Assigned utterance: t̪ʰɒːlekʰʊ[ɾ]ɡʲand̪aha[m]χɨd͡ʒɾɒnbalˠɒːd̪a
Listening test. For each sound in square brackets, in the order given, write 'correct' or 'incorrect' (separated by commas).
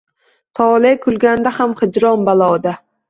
incorrect, correct